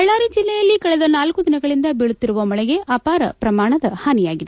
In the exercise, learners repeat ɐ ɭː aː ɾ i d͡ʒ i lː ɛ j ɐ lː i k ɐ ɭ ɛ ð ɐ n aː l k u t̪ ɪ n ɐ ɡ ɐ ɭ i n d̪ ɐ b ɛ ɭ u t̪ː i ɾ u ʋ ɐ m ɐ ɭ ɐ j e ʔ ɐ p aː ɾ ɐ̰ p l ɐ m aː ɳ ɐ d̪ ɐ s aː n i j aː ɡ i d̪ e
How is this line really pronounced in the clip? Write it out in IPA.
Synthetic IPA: ɐ ɭː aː ɾ i d͡ʒ i lː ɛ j ɐ lː i k ɐ ɭ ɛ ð ɐ n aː l k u d̪ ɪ n ɐ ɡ ɐ ɭ i n d̪ ɐ b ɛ ɭ u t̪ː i ɾ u ʋ ɐ m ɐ ɭ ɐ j e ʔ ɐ p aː ɾ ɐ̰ p ɾ ɐ m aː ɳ ɐ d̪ ɐ h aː n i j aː ɡ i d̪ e